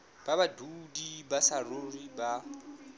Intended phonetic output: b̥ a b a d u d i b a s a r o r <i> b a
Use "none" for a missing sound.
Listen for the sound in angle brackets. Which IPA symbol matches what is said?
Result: i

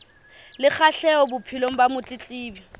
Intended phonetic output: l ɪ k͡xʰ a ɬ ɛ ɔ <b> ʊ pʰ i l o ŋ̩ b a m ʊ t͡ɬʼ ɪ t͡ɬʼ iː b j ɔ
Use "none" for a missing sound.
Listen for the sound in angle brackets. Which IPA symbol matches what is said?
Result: b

